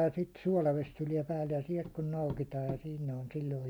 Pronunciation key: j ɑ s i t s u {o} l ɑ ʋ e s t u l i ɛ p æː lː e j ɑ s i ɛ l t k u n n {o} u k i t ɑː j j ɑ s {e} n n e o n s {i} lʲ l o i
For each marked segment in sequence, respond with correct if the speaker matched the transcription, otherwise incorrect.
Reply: incorrect: ɒ, correct, incorrect: i, correct

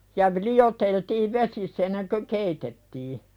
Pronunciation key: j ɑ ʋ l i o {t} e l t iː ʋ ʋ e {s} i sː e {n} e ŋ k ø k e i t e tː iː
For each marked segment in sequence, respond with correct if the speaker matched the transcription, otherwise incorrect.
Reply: correct, correct, incorrect: nː

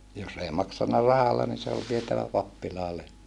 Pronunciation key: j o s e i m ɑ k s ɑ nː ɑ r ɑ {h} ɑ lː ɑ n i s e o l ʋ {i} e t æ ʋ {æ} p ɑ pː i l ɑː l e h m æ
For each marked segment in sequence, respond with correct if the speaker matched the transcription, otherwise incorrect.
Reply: correct, correct, correct

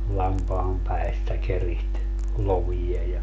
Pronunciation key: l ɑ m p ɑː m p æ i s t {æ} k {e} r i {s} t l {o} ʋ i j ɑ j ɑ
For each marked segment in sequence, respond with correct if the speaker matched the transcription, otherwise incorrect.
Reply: correct, correct, incorrect: h, correct

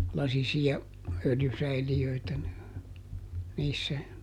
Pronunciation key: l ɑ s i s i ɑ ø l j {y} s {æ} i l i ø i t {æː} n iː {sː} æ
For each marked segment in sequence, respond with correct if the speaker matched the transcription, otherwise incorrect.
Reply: correct, correct, incorrect: æ, correct

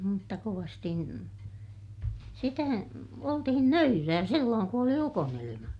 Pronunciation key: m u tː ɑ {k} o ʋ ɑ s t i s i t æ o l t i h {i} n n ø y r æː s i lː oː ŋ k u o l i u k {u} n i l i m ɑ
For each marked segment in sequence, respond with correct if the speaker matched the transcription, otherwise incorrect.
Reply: correct, correct, incorrect: o

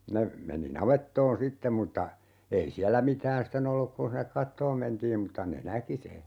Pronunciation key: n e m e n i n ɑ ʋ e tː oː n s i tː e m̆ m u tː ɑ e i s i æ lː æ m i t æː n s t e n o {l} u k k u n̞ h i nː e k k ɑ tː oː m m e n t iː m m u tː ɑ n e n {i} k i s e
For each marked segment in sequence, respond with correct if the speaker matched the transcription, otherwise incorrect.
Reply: incorrect: lː, incorrect: æ

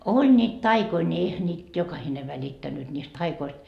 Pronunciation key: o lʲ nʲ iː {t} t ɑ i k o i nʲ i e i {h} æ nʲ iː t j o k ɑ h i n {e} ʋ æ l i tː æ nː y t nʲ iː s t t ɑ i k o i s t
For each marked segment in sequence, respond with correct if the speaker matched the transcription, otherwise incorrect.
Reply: correct, correct, correct

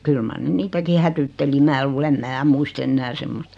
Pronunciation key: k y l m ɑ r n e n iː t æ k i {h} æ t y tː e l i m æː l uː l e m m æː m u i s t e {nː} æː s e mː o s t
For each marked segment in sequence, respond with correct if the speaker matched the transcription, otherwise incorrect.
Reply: correct, correct

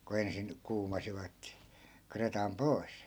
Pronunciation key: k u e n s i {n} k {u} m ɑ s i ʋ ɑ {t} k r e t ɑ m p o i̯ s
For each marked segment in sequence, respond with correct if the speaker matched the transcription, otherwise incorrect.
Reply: correct, incorrect: uː, correct

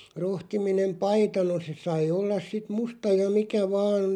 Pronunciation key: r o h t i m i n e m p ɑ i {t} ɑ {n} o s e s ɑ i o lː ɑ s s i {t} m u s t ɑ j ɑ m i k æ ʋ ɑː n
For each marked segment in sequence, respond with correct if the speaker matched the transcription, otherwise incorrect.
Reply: correct, correct, correct

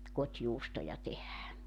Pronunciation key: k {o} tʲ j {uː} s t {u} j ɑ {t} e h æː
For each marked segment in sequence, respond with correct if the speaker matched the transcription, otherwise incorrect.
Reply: correct, correct, incorrect: o, correct

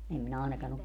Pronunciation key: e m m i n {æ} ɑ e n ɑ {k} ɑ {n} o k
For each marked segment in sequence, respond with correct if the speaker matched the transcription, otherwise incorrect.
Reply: correct, correct, correct

